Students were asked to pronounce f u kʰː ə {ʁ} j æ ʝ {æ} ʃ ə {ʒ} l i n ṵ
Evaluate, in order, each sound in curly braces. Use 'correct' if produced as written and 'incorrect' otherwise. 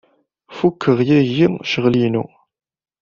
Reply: correct, incorrect, incorrect

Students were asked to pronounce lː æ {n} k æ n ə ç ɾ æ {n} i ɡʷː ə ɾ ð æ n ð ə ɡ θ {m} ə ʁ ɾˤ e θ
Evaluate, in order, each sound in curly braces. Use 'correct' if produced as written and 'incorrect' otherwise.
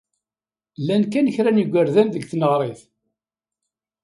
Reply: correct, correct, incorrect

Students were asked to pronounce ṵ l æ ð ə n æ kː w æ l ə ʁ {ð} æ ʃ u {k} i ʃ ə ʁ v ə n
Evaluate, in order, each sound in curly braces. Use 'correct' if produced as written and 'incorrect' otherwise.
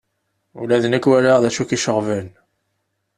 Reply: correct, correct

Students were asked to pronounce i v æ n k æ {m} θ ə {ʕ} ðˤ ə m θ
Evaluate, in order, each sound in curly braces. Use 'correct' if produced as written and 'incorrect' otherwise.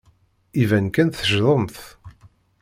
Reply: incorrect, incorrect

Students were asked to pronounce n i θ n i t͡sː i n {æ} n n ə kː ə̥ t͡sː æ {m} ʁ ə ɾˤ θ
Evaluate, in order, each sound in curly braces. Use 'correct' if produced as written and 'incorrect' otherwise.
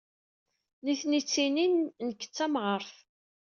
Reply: incorrect, correct

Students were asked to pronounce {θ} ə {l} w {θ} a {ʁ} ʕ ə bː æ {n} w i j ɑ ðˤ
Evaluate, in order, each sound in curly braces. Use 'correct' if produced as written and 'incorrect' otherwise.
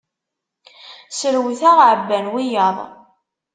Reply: incorrect, incorrect, correct, correct, correct

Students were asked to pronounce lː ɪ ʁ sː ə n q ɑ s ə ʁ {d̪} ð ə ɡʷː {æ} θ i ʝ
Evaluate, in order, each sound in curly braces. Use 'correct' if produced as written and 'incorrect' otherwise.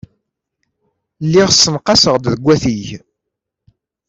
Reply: correct, correct

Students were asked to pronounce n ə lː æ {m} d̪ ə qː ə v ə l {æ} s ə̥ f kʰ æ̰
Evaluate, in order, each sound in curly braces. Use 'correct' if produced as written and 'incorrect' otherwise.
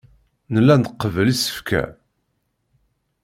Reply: incorrect, incorrect

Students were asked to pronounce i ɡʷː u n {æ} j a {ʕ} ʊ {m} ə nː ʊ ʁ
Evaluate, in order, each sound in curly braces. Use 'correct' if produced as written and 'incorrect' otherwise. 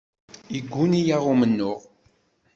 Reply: incorrect, incorrect, correct

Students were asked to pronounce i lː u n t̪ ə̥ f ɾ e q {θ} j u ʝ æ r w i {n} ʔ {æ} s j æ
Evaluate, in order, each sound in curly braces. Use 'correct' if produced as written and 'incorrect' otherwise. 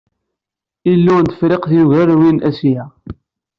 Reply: correct, correct, correct

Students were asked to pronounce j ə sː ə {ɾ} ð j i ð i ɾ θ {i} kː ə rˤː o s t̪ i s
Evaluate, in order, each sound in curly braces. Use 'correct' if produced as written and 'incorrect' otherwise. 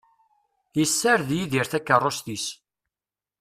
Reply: correct, incorrect

